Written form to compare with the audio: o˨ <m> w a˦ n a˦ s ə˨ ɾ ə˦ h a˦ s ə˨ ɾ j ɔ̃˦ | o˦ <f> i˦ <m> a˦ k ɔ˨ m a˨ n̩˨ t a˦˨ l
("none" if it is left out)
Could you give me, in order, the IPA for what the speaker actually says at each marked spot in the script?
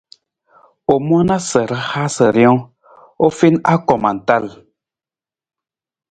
m, f, n

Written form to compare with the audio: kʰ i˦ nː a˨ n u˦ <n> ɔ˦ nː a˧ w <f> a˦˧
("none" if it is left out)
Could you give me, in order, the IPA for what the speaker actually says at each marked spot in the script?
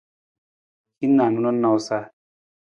n, s

